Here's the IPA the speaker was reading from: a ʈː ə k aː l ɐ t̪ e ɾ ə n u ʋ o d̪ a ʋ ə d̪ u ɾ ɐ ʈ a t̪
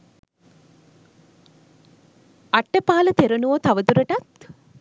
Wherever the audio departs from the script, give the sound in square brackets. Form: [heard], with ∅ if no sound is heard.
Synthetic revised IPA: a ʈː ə [p] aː l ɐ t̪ e ɾ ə n u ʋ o [t̪] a ʋ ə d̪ u ɾ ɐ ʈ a t̪

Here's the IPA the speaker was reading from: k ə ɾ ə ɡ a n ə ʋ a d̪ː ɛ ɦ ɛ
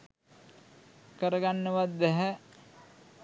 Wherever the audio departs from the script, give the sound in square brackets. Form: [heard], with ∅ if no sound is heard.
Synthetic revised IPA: k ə ɾ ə ɡ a [nː] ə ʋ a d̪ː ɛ ɦ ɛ

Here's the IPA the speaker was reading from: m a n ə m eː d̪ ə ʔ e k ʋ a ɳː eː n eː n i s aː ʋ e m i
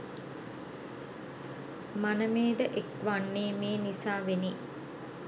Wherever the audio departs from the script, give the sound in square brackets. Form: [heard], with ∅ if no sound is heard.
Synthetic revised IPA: m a n ə m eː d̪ ə ʔ e k ʋ a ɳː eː [m] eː n i s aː ʋ e [n] i

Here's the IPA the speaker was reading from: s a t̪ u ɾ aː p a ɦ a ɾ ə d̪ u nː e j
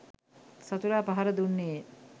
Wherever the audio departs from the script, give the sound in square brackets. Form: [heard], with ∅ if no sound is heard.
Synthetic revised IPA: s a t̪ u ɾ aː p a ɦ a ɾ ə d̪ u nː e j

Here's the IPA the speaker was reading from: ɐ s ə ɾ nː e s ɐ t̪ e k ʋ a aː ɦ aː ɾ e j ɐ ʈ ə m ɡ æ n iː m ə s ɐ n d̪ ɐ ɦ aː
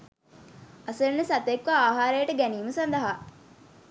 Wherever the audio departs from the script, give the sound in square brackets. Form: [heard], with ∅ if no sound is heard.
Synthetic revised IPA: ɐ s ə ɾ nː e s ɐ t̪ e k ʋ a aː ɦ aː ɾ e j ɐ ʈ ə [∅] ɡ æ n iː m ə s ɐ n d̪ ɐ ɦ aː

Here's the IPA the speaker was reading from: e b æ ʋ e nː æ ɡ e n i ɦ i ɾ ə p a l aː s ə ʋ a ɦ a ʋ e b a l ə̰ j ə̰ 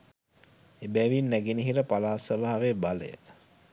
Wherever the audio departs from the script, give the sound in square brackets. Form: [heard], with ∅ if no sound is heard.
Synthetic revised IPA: e b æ ʋ [i] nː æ ɡ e n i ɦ i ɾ ə p a l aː s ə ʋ a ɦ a ʋ e b a l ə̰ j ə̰

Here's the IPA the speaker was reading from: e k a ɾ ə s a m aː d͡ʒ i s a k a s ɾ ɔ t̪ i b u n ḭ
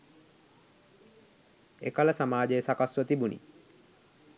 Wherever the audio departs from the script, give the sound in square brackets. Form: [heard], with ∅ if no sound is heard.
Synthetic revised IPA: e k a [l] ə s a m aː d͡ʒ [e] s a k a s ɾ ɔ t̪ i b u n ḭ

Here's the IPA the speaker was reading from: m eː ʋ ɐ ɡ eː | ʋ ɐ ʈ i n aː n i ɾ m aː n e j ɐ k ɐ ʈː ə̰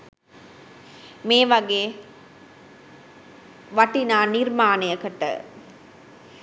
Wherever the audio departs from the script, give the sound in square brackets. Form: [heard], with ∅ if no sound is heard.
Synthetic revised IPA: m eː ʋ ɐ ɡ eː | ʋ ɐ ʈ i n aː n i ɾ m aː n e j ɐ k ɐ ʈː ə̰

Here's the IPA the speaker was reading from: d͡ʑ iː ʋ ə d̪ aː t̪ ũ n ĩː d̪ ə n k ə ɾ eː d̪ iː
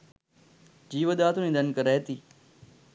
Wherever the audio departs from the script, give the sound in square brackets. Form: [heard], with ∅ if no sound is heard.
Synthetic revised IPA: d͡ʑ iː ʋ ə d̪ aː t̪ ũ n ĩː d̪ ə n k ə ɾ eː [t̪] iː

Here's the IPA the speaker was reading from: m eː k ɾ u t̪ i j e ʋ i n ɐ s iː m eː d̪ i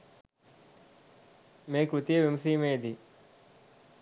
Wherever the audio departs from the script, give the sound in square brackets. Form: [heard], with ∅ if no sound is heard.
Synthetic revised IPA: m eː k ɾ u t̪ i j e ʋ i [m] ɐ s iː m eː d̪ i

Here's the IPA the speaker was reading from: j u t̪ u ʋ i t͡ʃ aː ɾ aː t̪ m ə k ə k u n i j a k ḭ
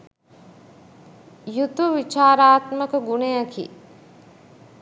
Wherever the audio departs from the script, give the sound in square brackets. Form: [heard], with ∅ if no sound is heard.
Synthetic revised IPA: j u t̪ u ʋ i t͡ʃ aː ɾ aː t̪ m ə k ə [ɡ] u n [e] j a k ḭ

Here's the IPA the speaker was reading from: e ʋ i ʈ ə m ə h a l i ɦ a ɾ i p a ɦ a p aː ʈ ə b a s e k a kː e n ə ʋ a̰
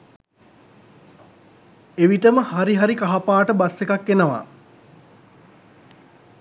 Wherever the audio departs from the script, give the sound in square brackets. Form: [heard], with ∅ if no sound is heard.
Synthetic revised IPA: e ʋ i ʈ ə m ə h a [ɾ] i ɦ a ɾ i [k] a ɦ a p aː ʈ ə b a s e k a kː e n ə ʋ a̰

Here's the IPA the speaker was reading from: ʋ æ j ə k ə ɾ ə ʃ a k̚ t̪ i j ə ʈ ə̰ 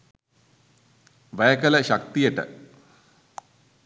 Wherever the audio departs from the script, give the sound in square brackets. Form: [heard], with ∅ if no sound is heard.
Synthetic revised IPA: ʋ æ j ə k ə [l] ə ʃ a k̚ t̪ i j ə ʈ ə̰

